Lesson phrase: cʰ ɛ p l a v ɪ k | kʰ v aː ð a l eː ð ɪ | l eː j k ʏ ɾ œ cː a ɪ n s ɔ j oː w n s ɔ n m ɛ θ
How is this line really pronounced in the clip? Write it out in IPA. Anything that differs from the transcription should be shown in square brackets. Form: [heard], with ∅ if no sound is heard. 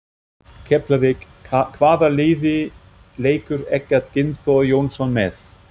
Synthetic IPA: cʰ ɛ p l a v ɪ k | kʰ v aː ð a l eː ð ɪ | l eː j k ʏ ɾ [ɛ] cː a ɪ n [θ] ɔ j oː w n s ɔ n m ɛ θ